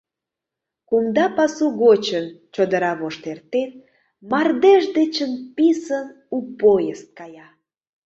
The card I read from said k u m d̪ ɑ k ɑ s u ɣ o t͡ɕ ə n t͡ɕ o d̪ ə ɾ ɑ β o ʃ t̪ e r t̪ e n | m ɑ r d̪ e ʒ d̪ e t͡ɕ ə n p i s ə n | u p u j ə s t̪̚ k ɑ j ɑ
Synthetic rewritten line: k u m d̪ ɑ p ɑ s u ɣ o t͡ɕ ə n t͡ɕ o d̪ ə ɾ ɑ β o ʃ t̪ e r t̪ e n | m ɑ r d̪ e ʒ d̪ e t͡ɕ ə n p i s ə n | u p o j ə s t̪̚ k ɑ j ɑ